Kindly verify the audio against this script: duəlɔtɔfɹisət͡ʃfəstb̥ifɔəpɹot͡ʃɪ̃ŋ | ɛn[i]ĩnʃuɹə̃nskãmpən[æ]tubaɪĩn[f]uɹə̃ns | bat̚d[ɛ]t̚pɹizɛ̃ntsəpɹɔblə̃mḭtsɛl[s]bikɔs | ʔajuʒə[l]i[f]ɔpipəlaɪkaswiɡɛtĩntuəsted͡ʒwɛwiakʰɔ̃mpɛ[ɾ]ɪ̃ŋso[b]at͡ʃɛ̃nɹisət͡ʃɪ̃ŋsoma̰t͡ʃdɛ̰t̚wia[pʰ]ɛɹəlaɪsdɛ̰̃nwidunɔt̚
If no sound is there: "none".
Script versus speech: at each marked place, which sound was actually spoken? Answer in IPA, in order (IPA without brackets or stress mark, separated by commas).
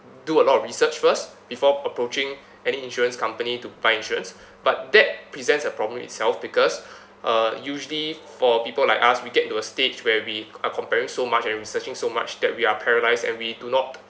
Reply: i, i, ʃ, ɛ, f, l, f, ɹ, m, pʰ